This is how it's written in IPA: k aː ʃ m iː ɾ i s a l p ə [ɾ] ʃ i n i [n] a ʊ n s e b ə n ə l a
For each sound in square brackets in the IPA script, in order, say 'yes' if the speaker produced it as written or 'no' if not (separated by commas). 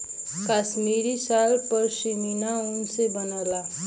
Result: yes, yes